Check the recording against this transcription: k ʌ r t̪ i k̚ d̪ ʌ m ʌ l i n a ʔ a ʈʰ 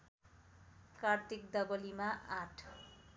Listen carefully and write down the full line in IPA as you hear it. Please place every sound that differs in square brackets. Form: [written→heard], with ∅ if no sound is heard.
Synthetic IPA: k [ʌ→a] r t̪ i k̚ d̪ ʌ [m→b] ʌ l i [n→m] a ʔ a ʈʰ